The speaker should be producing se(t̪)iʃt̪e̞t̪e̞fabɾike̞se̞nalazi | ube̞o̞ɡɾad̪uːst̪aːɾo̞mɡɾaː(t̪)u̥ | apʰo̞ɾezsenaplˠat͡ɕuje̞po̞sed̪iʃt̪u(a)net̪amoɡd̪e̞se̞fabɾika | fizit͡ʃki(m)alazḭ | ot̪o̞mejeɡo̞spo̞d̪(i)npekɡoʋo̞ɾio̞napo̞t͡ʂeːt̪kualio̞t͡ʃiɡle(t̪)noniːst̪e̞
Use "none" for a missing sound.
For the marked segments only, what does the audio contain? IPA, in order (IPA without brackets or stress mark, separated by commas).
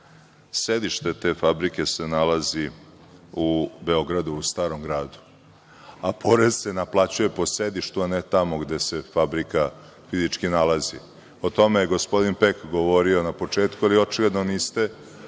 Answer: d̪, d̪, a, n, i, d̪